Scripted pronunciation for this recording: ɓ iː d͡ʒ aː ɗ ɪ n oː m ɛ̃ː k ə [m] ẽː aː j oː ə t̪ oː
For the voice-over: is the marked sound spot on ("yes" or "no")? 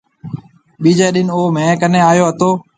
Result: no